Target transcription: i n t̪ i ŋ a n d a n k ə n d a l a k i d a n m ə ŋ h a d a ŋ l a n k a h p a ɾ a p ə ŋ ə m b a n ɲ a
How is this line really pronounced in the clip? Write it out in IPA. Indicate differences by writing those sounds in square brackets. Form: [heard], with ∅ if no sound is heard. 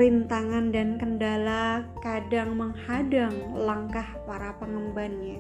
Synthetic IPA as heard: i n t̪ [a] ŋ a n d a n k ə n d a l a k [a] d a [ŋ] m ə ŋ h a d a ŋ l a [ŋ] k a h p a ɾ a p ə ŋ ə m b a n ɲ a